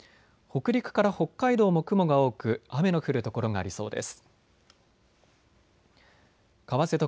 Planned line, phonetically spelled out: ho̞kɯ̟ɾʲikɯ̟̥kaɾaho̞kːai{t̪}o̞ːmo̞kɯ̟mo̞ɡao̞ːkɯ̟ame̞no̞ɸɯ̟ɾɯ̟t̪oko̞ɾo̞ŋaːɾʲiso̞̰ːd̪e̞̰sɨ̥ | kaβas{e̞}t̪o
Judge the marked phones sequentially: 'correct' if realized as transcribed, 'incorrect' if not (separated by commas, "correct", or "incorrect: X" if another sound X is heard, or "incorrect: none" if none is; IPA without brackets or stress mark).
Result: incorrect: d̪, correct